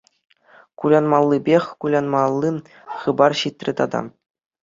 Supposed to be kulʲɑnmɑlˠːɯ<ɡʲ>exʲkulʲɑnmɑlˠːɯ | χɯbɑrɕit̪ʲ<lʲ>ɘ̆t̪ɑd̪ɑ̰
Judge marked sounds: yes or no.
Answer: no, no

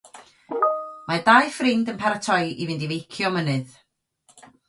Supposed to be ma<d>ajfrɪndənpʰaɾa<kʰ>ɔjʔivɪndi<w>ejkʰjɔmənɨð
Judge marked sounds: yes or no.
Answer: yes, no, no

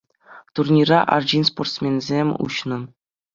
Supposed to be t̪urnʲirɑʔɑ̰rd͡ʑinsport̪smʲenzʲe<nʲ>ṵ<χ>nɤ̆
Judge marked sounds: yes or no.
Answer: no, no

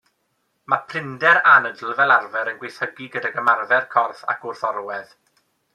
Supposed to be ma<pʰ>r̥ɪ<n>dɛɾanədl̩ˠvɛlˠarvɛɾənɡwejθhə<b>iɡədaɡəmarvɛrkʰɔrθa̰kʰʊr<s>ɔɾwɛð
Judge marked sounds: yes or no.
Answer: yes, yes, no, no

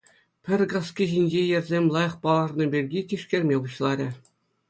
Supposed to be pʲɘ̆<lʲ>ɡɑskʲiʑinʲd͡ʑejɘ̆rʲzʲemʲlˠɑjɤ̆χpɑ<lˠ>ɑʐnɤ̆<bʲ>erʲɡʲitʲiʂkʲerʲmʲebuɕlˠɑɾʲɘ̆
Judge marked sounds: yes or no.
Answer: no, yes, yes

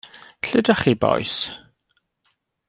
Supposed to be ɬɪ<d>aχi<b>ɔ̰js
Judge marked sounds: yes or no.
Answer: yes, yes

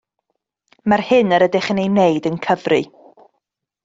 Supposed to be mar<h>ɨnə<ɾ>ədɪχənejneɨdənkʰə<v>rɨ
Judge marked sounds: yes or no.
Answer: yes, yes, yes

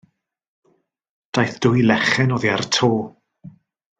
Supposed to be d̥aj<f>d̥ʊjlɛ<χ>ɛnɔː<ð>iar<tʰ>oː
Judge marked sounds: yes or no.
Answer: no, yes, yes, yes

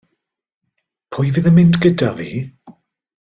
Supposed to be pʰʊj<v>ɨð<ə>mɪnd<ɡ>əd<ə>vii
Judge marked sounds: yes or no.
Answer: yes, yes, yes, no

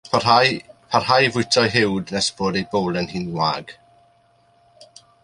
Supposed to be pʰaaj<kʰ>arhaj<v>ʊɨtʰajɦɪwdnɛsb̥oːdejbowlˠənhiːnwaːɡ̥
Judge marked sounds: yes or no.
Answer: no, yes

